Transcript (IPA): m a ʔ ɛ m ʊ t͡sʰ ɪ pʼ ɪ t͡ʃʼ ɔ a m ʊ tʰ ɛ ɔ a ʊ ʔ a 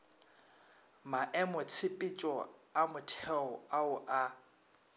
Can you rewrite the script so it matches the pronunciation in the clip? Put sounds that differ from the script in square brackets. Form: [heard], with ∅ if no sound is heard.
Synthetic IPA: m a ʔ ɛ m ʊ t͡sʰ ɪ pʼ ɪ t͡ʃʼ ɔ a m ʊ tʰ ɛ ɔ a ʊ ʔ a